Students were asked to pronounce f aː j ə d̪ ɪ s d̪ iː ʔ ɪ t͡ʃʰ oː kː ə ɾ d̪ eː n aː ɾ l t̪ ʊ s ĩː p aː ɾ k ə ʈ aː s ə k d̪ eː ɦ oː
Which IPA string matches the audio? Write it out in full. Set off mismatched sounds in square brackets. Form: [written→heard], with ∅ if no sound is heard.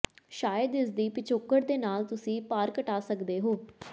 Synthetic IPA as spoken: [f→ʃ] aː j ə d̪ ɪ s d̪ iː [ʔ→p] ɪ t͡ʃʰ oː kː ə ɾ d̪ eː n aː [ɾ→∅] l t̪ ʊ s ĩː p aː ɾ k ə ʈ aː s ə k d̪ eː ɦ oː